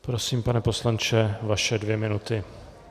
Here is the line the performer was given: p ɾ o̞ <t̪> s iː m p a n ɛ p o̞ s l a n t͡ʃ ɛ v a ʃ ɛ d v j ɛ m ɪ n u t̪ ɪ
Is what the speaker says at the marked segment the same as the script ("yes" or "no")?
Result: no